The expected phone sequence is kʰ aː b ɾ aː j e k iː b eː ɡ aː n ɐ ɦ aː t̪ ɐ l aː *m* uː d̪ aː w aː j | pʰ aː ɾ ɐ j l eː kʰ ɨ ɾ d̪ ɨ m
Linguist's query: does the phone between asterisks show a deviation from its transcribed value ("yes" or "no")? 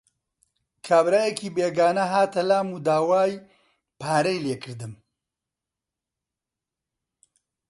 no